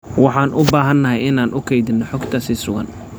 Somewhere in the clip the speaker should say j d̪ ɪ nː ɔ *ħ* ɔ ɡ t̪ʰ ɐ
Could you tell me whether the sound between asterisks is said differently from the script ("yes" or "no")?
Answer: no